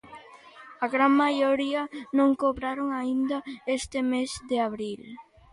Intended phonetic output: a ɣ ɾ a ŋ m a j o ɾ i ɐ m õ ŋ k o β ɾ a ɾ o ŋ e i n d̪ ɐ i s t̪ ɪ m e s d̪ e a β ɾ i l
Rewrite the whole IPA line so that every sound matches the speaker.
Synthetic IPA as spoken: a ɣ ɾ a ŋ m a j o ɾ i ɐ n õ ŋ k o β ɾ a ɾ o ŋ a i n d̪ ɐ e s t̪ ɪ m e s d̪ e a β ɾ i l